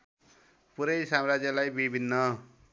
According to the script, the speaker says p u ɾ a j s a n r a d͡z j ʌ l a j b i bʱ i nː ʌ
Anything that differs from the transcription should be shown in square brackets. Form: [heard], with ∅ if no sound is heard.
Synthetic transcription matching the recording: p u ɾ [ʌ] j s a [m] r a d͡z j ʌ l a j b i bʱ i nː ʌ